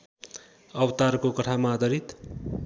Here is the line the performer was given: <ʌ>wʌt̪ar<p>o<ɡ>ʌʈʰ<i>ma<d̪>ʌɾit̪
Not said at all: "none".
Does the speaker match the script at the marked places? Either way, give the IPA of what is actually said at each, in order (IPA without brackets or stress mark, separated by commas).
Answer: ʌ, k, k, a, d̪